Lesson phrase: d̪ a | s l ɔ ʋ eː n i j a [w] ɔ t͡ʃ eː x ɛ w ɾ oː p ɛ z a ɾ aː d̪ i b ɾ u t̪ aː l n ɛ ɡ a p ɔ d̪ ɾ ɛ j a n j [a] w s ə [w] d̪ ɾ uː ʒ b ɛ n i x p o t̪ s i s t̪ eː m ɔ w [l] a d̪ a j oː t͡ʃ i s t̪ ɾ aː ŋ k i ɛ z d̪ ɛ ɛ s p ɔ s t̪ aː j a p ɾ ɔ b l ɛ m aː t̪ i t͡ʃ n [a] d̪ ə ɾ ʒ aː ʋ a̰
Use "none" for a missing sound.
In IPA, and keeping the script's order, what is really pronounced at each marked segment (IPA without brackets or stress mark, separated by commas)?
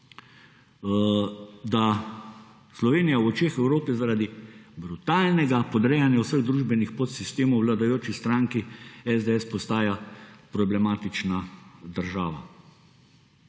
w, a, ɣ, l, a